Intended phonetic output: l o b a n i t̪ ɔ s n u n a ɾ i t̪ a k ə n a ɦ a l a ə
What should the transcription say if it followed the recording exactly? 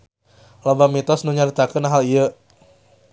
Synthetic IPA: l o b a m i t̪ ɔ s n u ɲ a ɾ i t̪ a k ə n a ɦ a l i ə